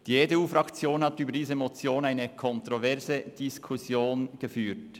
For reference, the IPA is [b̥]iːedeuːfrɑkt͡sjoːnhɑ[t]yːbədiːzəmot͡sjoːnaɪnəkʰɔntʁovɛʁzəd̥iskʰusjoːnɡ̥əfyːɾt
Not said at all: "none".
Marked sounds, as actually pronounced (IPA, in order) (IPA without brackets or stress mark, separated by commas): d̥, t